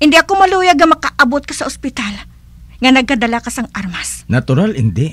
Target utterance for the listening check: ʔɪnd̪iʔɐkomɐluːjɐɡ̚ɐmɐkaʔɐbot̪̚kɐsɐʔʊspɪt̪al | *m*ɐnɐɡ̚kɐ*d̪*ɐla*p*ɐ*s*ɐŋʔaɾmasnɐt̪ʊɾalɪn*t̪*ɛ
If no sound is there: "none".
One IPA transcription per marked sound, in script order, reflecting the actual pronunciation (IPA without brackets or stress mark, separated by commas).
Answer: ŋ, d̪, k, s, d̪